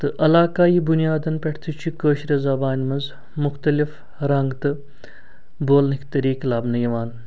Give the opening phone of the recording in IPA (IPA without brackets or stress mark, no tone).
t̪